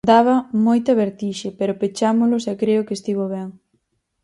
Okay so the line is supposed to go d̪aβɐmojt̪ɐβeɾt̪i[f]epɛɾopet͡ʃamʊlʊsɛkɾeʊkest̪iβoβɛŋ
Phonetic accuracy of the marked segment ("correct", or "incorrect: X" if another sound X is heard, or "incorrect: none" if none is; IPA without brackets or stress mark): incorrect: ʃ